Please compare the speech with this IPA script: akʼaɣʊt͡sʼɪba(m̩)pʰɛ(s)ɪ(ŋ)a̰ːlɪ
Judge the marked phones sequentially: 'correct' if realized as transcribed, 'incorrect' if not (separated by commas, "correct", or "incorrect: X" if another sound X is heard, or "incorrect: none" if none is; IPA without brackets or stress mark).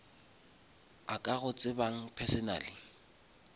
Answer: incorrect: ŋ̩, correct, incorrect: n